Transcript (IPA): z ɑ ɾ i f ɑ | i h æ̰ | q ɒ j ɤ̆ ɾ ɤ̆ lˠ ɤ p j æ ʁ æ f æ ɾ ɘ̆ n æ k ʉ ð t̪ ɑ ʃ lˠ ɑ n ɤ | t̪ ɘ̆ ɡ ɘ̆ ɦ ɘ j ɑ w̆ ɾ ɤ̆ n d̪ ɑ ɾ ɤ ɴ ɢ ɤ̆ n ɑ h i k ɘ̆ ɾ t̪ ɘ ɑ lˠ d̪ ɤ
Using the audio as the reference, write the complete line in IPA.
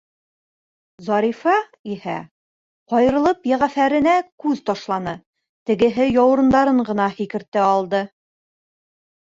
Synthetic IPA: z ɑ ɾ i f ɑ | i h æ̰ | q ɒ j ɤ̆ ɾ ɤ̆ lˠ ɤ p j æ ʁ æ f æ ɾ ɘ̆ n æ k ʉ ð t̪ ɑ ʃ lˠ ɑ n ɤ | t̪ ɘ̆ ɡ ɘ̆ ɦ ɘ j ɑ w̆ ɾ ɤ̆ n d̪ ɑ ɾ ɤ ɴ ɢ ɤ̆ n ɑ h i k ɘ̆ ɾ t̪ ɘ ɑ lˠ d̪ ɤ